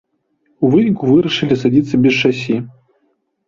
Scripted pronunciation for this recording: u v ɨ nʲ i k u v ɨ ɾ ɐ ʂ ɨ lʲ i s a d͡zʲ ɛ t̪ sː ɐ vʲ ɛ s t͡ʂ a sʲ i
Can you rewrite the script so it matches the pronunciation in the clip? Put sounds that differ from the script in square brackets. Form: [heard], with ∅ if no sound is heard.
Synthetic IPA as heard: u v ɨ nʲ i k u v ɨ ɾ ɐ ʂ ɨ lʲ i s a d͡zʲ [i] t̪ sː ɐ [bʲ] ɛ s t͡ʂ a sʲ i